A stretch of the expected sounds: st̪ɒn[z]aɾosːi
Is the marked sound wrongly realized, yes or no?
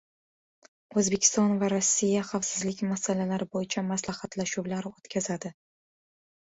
yes